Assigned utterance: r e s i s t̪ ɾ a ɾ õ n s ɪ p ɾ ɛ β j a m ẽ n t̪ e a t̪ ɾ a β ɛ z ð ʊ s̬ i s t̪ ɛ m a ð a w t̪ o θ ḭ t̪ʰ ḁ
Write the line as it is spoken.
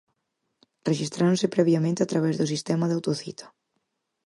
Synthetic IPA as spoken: r e ʃ i s t̪ ɾ a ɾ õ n s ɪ p ɾ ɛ β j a m ẽ n t̪ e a t̪ ɾ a β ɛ z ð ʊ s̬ i s t̪ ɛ m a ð a w t̪ o θ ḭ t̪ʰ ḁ